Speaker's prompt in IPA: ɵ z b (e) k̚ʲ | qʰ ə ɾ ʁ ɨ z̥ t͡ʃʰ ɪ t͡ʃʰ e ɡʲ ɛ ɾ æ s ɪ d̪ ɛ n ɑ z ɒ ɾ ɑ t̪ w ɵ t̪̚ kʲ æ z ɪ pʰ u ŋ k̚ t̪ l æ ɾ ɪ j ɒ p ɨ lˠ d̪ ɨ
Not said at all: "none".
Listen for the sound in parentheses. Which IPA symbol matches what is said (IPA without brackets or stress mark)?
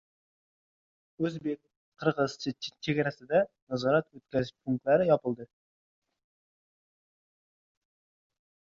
e